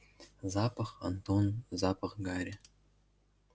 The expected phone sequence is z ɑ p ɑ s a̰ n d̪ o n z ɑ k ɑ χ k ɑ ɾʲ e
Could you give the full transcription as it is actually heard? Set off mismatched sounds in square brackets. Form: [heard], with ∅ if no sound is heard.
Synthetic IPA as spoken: z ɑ p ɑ [χ] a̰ n [t̪] o n z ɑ [p] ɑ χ [ɡ] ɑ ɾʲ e